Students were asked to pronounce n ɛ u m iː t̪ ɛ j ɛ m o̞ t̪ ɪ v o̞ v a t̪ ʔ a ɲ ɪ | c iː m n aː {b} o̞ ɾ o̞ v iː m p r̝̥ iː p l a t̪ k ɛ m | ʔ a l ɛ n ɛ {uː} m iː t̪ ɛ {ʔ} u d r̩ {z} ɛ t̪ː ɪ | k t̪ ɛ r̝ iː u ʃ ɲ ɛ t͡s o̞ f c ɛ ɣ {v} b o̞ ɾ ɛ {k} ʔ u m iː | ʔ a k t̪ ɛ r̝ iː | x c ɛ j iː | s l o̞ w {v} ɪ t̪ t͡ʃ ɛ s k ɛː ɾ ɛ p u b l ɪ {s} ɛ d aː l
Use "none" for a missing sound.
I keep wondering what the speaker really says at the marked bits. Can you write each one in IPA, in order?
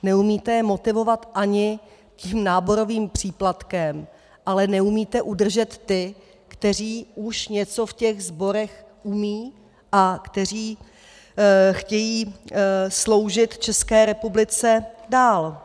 b, u, ʔ, ʒ, z, x, ʒ, t͡s

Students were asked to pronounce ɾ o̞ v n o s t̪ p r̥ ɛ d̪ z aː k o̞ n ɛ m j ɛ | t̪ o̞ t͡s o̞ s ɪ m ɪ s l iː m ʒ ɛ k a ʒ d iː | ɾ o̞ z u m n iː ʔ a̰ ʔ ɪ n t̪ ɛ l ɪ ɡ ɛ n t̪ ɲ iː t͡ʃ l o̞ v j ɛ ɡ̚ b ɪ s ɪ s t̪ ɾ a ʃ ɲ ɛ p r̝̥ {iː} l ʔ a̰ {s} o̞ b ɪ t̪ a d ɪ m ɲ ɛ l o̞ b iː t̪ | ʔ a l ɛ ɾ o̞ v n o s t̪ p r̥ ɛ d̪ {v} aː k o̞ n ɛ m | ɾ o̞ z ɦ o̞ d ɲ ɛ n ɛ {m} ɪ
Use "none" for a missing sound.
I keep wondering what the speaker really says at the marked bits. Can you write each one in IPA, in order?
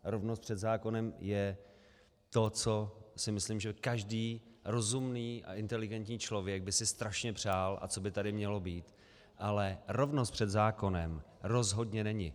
aː, t͡s, z, ɲ

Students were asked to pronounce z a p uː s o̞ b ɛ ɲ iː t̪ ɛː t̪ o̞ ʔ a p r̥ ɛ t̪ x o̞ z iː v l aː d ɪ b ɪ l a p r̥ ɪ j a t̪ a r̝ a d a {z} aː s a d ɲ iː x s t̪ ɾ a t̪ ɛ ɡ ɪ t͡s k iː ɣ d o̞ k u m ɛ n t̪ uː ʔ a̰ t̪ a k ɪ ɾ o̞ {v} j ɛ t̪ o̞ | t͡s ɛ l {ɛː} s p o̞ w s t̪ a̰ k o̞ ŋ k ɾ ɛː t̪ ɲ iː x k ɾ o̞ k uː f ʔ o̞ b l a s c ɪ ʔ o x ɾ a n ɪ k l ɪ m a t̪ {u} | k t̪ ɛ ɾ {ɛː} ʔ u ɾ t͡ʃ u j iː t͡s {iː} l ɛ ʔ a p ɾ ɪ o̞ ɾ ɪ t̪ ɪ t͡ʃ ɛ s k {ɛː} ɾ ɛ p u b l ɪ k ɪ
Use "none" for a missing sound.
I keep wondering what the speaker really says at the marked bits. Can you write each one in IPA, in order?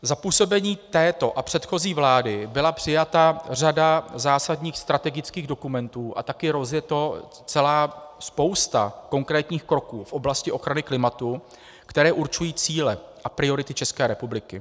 z, z, aː, u, ɛː, iː, ɛː

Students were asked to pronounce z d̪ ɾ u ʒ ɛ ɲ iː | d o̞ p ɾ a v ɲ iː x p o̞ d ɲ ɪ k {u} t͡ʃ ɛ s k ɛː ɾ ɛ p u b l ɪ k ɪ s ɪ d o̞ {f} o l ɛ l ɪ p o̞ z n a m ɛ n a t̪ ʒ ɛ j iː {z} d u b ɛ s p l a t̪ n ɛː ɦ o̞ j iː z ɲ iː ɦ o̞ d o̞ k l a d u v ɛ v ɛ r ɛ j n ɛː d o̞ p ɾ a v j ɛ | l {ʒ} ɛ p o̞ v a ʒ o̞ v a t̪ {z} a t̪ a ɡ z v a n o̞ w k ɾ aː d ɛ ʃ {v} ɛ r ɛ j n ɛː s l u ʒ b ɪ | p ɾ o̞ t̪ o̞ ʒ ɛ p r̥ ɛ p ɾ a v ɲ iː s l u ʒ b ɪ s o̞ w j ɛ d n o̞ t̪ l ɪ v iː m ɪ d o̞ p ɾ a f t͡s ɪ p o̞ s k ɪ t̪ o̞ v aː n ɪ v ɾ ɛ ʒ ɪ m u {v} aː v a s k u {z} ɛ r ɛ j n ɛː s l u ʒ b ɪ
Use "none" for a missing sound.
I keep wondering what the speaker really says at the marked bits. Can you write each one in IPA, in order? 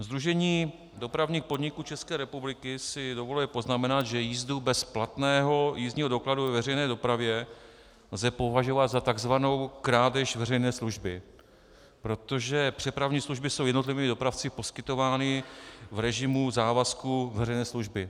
uː, v, z, z, z, v, z, v

